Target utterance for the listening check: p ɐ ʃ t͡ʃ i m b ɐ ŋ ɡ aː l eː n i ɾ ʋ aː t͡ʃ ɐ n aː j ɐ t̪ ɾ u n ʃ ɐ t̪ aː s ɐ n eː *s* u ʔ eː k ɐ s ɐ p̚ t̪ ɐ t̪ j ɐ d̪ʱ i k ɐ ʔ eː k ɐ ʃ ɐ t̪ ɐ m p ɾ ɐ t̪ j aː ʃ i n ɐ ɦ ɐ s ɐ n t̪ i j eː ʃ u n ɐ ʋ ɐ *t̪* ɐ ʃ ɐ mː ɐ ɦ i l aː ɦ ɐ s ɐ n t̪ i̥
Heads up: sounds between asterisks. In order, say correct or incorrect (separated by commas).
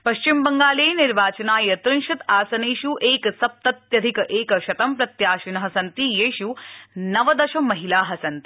incorrect, incorrect